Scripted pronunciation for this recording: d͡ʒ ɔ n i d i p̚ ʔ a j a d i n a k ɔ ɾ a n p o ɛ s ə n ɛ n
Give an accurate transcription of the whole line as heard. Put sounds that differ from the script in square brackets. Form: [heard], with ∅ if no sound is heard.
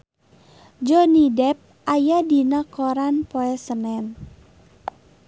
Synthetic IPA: d͡ʒ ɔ n i d [ɛ] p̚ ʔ a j a d i n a k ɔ ɾ a n p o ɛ s ə n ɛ n